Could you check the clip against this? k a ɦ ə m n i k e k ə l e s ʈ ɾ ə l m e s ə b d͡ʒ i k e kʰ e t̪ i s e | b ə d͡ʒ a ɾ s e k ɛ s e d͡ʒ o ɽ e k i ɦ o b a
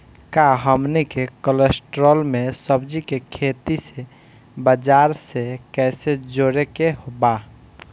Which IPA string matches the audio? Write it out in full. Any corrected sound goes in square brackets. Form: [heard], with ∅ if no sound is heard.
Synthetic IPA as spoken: k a ɦ ə m n i k e k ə l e s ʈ ɾ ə l m e s ə b d͡ʒ i k e kʰ e t̪ i s e | b ə d͡ʒ a ɾ s e k ɛ s e d͡ʒ o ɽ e k [e] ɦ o b a